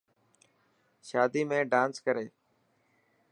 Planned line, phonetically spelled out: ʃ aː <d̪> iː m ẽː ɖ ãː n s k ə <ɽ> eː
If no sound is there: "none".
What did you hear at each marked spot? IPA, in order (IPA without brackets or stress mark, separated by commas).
d̪, ɾ